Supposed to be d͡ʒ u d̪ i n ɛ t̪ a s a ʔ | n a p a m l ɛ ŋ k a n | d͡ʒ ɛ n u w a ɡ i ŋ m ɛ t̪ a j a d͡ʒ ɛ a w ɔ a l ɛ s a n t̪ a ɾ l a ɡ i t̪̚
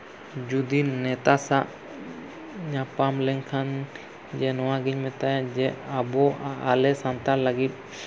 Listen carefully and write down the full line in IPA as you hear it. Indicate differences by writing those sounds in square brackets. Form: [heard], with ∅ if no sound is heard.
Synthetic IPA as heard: d͡ʒ u d̪ i n ɛ t̪ a s a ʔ | [ɲ] a p a m l ɛ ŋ [kʰ] a n | d͡ʒ ɛ n [ɔ] w a ɡ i [ɲ] m ɛ t̪ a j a d͡ʒ ɛ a [b] ɔ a l ɛ s a n t̪ a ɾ l a ɡ i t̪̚